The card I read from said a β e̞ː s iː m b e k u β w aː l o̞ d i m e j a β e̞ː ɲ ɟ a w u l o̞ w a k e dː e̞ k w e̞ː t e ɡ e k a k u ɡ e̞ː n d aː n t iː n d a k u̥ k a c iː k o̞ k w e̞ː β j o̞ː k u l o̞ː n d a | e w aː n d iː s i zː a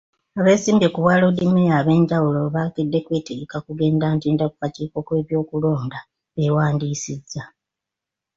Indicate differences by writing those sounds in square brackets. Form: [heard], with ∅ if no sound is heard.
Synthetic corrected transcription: a β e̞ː s iː m b e k u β w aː l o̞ d i m e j a β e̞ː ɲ ɟ a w u l o̞ [β] a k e dː e̞ k w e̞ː t e ɡ e k a k u ɡ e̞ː n d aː n t iː n d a k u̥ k a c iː k o̞ k w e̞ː β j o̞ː k u l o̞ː n d a | e w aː n d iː s i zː a